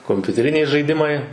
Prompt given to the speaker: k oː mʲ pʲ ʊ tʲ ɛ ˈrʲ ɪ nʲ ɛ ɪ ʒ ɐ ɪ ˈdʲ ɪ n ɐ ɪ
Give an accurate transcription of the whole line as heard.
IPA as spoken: k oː mʲ pʲ ʊ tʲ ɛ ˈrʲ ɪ nʲ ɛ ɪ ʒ ɐ ɪ ˈdʲ ɪ m ɐ ɪ